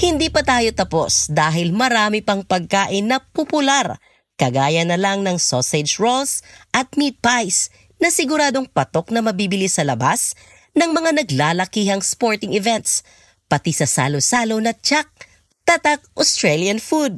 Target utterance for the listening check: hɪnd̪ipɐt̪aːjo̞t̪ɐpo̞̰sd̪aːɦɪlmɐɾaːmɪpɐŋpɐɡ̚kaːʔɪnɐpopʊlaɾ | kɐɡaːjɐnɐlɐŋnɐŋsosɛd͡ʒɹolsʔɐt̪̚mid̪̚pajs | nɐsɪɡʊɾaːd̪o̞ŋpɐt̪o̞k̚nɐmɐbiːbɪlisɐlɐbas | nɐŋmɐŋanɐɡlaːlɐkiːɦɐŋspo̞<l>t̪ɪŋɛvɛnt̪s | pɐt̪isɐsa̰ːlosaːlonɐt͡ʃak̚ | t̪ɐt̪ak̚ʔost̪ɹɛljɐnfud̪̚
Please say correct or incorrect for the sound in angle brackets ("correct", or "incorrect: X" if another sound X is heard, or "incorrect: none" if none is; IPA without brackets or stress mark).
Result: incorrect: ɹ